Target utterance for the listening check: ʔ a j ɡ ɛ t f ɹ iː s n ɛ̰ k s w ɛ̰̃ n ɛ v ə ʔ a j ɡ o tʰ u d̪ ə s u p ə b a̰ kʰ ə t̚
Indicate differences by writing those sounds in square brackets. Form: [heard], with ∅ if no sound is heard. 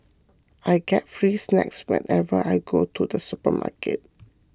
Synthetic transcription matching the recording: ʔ a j ɡ ɛ t f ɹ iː s n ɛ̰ k s w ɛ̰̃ n ɛ v ə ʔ a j ɡ o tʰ u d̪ ə s u p ə [m] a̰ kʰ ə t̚